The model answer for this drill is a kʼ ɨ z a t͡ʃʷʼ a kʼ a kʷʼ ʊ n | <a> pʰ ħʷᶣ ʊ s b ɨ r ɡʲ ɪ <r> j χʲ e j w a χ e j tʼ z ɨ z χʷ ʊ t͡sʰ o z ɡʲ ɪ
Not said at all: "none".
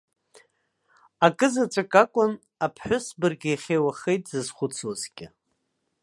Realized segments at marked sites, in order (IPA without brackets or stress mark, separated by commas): a, none